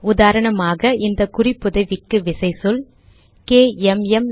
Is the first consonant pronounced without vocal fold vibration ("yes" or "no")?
no